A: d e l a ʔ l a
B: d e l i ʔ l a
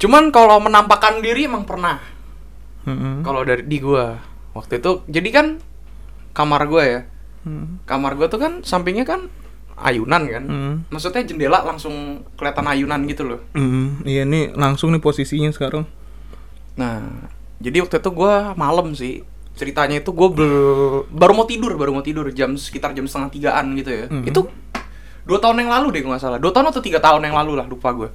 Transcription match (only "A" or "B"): A